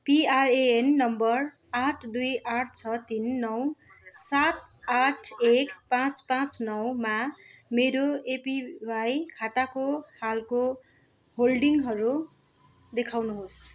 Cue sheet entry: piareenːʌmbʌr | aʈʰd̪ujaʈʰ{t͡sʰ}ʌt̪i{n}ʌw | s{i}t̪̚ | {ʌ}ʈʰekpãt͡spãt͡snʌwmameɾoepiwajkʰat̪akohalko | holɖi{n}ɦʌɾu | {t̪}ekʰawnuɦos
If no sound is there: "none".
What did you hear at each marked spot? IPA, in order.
t͡sʰ, nː, a, a, ŋ, d̪

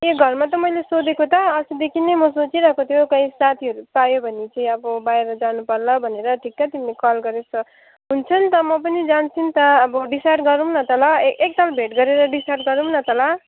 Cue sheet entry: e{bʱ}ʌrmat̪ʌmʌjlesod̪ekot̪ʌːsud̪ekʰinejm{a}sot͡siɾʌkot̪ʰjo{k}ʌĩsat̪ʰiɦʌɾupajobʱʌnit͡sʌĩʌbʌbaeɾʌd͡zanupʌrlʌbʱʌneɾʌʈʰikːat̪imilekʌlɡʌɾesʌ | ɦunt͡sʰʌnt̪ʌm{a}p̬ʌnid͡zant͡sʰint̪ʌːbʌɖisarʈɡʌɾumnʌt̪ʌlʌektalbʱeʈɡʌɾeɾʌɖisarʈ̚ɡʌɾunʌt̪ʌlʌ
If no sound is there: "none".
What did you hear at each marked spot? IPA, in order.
ɡʱ, ʌ, k, ʌ

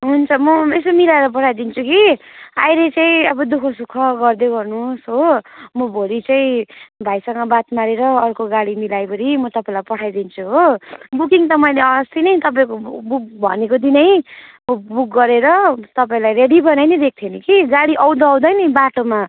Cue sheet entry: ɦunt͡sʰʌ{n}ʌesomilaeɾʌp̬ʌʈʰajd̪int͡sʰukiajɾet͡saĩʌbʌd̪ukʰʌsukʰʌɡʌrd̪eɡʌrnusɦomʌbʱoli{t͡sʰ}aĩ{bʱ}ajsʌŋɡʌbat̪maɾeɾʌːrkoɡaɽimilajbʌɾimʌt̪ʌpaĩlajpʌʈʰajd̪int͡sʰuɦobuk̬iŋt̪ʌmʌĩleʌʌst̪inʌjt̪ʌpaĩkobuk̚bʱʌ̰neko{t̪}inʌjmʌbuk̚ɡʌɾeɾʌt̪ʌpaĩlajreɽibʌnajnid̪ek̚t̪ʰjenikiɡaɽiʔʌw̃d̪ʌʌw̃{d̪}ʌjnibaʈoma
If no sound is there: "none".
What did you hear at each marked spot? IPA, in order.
m, t͡s, bʱ, d̪, d̪

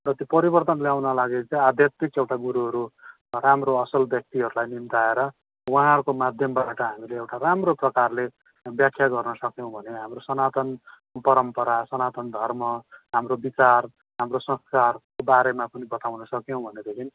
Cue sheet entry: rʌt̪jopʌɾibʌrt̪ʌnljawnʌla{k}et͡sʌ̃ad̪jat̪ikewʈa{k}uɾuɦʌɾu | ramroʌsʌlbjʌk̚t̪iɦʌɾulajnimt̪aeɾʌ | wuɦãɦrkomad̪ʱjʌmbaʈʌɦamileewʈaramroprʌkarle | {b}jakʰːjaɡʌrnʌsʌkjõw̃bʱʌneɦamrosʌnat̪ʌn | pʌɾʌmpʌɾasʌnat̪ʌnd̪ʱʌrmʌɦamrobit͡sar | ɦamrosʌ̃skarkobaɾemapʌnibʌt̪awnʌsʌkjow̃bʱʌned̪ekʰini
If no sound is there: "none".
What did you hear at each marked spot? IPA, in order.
ɡ, ɡ, b

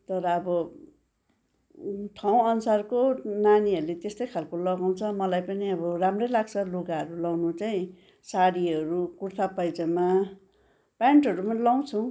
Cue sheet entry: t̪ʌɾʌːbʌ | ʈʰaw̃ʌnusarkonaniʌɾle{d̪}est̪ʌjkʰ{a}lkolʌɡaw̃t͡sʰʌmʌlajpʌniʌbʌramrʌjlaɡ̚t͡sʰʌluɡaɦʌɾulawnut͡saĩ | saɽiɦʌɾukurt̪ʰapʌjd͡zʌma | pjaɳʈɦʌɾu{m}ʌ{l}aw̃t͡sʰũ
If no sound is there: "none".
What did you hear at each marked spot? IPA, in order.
t̪, a, m, l

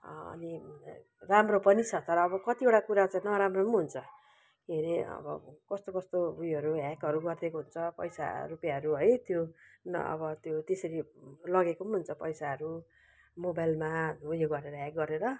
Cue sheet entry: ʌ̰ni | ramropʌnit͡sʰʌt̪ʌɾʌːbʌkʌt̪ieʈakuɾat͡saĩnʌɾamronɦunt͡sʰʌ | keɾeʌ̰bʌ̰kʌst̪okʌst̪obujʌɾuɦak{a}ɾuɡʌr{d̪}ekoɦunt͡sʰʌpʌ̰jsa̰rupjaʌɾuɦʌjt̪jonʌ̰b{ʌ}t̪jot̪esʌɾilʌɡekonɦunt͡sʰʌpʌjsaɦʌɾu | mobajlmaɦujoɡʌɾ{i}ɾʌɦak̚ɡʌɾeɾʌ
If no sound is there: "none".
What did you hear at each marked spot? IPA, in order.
ʌ, d̪, ʌ, e

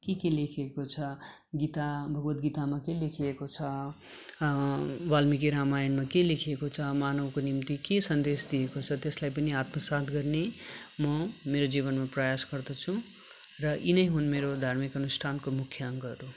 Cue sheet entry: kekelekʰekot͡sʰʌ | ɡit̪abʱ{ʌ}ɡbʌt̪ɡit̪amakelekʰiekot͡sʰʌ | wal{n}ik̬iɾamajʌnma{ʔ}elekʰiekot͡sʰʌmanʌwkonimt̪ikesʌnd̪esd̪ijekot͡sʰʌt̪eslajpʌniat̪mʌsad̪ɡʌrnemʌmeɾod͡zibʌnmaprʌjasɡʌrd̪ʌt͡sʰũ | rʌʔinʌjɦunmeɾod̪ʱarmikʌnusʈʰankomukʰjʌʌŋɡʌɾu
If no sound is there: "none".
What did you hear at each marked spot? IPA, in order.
ʌ, m, k

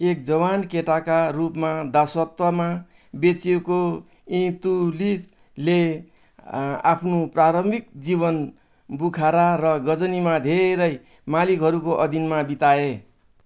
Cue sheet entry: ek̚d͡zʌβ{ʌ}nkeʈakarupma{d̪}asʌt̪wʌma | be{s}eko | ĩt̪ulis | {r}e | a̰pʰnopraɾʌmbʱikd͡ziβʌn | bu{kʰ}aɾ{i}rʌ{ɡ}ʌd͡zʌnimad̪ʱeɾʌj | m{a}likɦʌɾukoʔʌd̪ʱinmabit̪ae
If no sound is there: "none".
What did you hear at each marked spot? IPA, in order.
a, d̪, t͡s, l, kʰ, a, ɡ, a

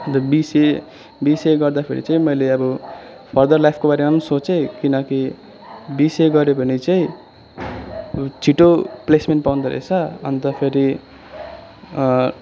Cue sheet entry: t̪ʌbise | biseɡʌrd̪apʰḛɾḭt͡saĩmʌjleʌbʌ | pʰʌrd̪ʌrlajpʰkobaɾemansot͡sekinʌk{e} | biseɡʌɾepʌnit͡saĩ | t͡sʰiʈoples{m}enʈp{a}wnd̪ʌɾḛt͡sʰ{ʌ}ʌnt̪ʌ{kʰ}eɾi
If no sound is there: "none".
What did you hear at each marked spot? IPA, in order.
i, m, a, ʌ, pʰ

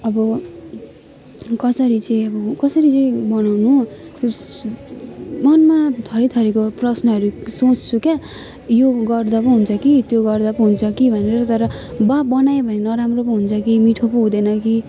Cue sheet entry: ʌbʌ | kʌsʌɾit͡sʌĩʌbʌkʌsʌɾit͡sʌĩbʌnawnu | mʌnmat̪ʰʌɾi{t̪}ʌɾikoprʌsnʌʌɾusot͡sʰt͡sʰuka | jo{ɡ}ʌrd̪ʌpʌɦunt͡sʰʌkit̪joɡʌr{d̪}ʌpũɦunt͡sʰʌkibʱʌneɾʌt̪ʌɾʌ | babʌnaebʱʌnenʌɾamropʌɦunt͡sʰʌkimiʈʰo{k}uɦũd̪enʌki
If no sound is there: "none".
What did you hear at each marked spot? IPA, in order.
t̪ʰ, ɡ, d̪, p

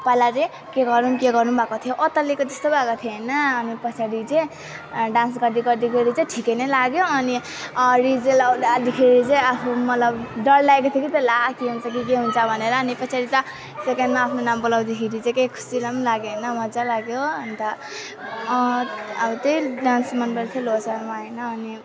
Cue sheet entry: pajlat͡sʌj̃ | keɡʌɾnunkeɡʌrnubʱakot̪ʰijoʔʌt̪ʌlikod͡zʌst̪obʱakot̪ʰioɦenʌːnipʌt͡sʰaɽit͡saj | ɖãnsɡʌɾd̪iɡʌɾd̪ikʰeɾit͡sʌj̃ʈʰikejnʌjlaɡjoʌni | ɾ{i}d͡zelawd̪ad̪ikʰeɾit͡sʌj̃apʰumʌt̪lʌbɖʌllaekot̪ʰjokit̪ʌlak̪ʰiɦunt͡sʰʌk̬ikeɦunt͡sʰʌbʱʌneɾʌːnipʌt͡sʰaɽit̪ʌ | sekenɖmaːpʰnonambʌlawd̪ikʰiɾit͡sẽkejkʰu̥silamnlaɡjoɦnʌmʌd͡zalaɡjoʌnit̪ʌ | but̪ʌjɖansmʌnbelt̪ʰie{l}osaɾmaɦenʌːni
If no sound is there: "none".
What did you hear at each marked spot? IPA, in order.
i, l

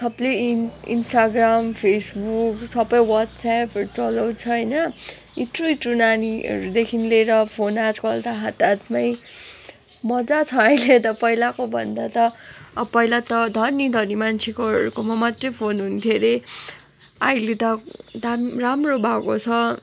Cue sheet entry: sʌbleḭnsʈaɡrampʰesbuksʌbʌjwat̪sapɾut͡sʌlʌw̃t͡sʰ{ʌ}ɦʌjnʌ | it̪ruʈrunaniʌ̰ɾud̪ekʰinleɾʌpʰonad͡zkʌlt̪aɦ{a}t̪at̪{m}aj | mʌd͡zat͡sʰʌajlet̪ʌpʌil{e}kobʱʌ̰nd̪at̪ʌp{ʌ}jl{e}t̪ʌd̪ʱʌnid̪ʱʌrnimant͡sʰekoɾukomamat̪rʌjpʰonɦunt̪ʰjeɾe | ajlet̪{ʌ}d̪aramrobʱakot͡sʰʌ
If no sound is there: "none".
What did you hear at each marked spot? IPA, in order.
ʌ, a, m, a, ʌ, a, ʌ

